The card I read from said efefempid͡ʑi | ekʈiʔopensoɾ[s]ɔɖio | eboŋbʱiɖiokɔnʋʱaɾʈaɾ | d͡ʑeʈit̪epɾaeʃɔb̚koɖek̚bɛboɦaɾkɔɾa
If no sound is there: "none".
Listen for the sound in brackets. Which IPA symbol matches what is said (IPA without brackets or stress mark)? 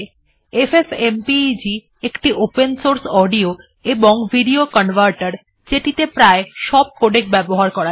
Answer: s